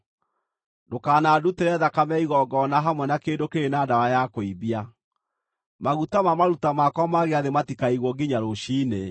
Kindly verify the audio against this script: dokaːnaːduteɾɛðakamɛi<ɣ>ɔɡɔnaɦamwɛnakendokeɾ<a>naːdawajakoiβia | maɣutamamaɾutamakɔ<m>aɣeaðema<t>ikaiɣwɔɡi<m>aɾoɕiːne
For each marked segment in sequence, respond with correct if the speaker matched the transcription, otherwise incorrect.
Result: correct, incorrect, correct, correct, incorrect

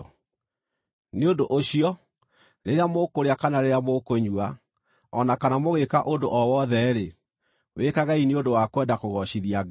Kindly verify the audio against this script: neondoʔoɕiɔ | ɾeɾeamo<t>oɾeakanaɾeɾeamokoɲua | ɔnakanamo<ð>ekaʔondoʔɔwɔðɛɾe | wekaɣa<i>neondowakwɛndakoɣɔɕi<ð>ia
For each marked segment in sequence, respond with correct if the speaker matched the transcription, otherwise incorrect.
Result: incorrect, incorrect, correct, correct

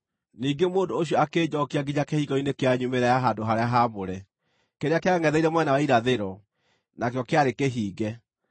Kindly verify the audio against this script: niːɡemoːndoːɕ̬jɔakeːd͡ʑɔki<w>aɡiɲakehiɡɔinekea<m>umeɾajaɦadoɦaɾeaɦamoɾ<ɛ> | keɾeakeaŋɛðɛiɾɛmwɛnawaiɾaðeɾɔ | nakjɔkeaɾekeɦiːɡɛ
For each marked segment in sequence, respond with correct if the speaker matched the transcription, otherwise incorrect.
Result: incorrect, incorrect, correct

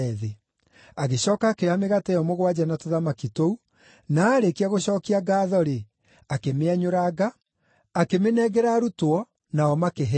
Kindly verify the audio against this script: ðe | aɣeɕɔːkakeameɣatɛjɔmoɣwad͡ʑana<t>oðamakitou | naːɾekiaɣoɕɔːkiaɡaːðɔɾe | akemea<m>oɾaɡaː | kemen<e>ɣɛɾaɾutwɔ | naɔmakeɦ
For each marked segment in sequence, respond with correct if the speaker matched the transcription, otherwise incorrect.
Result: correct, incorrect, incorrect

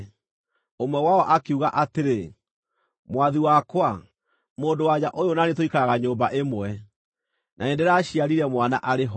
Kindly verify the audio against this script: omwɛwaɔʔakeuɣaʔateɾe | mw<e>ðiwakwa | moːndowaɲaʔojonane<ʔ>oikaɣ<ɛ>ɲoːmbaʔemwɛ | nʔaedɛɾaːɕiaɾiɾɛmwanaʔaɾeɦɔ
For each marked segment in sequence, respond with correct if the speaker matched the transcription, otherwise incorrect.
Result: incorrect, incorrect, incorrect

